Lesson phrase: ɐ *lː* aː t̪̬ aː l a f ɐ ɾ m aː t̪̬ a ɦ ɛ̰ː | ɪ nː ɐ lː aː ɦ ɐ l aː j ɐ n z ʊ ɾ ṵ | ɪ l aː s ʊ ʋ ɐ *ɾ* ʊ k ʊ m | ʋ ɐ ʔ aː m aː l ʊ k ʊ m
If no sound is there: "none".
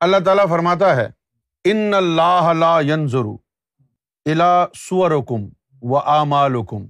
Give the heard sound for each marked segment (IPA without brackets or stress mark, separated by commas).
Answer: lː, ɾ